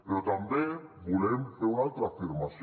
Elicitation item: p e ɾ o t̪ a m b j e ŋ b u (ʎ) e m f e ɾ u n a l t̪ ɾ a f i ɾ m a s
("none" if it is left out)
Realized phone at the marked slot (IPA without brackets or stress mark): l